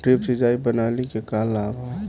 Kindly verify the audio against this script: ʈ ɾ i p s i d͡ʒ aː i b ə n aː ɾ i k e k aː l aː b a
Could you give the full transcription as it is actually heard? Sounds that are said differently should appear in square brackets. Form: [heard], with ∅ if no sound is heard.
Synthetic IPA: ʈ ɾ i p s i d͡ʒ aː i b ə n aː [l] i k e k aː l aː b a